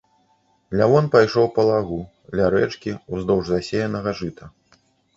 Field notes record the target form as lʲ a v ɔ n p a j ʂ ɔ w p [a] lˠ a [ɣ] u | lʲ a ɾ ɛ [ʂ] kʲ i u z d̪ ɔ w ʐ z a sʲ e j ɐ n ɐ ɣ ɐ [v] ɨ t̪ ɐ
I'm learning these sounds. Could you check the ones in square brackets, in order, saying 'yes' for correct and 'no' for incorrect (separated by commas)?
no, yes, no, no